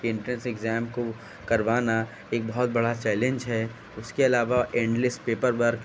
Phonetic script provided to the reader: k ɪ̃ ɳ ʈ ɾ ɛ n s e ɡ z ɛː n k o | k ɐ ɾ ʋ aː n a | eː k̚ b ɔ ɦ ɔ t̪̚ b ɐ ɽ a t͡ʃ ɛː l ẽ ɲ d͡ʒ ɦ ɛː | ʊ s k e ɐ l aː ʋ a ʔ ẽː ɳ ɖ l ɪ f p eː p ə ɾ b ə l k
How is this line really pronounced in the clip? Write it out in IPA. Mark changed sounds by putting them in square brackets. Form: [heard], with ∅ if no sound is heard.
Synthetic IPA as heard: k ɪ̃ ɳ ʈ ɾ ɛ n s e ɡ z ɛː [m] k o | k ɐ ɾ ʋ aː n a | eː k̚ b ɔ ɦ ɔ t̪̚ b ɐ ɽ a t͡ʃ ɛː l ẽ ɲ d͡ʒ ɦ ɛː | ʊ s k e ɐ l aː ʋ a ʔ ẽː ɳ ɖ l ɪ [s] p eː p ə ɾ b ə [ɾ] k

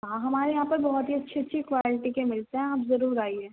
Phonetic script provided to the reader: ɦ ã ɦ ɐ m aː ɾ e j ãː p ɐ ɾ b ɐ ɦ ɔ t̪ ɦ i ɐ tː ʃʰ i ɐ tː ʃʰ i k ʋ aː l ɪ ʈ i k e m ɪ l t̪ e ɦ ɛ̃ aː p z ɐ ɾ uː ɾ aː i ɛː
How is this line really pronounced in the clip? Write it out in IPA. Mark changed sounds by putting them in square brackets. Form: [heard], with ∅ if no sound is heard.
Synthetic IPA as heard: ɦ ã ɦ ɐ m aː ɾ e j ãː p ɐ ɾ b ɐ ɦ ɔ t̪ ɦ i ɐ tː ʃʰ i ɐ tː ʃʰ i k ʋ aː l ɪ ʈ i k e m ɪ l t̪ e ɦ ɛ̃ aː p z ɐ ɾ uː ɾ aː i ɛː

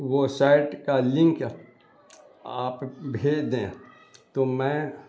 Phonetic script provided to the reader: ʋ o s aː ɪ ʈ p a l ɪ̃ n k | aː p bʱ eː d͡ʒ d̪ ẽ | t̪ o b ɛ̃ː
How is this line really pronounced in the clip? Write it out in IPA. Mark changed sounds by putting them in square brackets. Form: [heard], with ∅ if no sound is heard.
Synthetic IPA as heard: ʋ o s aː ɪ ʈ [k] a l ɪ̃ [ŋ] k | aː p bʱ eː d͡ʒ d̪ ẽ | t̪ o [m] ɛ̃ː

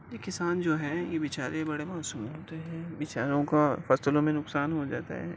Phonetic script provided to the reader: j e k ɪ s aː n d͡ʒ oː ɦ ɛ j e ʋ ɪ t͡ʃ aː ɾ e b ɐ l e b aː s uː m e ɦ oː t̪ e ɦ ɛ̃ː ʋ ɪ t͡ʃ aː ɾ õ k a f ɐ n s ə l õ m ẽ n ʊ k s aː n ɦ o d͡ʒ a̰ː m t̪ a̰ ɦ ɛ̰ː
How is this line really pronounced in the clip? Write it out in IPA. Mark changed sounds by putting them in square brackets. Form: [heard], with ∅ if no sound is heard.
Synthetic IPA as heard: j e k ɪ s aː n d͡ʒ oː ɦ ɛ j e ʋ ɪ t͡ʃ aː ɾ e b ɐ [ɽ] e [m] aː s uː m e ɦ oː t̪ e ɦ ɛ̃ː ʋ ɪ t͡ʃ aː ɾ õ k a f ɐ [∅] s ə l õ m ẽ n ʊ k s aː n ɦ o d͡ʒ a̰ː [∅] t̪ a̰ ɦ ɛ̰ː

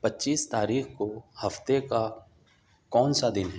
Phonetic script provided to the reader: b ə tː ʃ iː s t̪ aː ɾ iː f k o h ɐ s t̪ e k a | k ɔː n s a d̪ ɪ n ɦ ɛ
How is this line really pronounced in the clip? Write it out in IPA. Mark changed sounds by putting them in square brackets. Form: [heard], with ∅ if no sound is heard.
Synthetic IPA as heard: [p] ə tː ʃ iː s t̪ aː ɾ iː [x] k o h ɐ [f] t̪ e k a | k ɔː n s a d̪ ɪ n ɦ ɛ

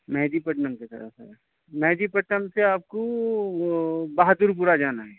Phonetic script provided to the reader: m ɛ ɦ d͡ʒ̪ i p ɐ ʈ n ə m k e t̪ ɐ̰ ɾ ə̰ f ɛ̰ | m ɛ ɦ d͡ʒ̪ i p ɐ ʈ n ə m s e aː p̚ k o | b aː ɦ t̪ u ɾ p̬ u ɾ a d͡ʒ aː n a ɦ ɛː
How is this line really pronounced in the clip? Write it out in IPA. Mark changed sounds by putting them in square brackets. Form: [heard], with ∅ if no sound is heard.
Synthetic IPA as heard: m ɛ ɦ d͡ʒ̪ i p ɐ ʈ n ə m k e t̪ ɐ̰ ɾ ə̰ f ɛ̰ | m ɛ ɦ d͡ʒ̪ i p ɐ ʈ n ə m s e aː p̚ k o | b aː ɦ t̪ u ɾ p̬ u ɾ a d͡ʒ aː n a ɦ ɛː

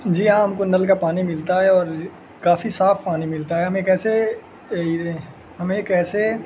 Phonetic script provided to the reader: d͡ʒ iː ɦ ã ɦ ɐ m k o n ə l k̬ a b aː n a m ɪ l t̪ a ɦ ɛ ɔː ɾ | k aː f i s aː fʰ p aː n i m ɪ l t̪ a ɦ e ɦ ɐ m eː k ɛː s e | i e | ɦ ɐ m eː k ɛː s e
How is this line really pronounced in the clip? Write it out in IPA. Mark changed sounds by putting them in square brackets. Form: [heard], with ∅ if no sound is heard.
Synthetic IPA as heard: d͡ʒ iː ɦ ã ɦ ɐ m k o n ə l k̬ a [p] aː n [i] m ɪ l t̪ a ɦ ɛ ɔː ɾ | k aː f i s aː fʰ p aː n i m ɪ l t̪ a ɦ [ɛ] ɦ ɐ m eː k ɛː s e | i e | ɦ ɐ m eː k ɛː s e

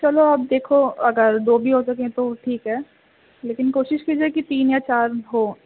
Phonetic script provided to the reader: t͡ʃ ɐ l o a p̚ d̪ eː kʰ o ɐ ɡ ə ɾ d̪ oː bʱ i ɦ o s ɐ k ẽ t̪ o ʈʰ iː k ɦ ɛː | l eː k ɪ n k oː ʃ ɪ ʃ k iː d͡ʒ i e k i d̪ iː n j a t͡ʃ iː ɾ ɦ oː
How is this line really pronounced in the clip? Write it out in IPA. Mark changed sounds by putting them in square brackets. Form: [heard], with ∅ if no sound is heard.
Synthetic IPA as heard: t͡ʃ ɐ l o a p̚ d̪ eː kʰ o ɐ ɡ ə ɾ d̪ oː bʱ i ɦ o s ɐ k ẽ t̪ o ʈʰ iː k ɦ ɛː | l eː k ɪ n k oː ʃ ɪ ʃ k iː d͡ʒ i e k i [t̪] iː n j a t͡ʃ [aː] ɾ ɦ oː

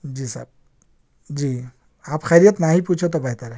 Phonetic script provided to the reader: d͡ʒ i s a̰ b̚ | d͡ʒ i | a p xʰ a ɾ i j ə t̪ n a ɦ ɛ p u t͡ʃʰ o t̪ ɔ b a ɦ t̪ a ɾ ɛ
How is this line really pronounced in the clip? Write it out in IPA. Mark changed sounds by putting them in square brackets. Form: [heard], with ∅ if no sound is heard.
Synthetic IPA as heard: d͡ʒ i s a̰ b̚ | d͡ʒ i | a p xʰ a ɾ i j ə t̪ n a ɦ [i] p u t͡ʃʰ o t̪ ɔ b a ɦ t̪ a ɾ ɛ

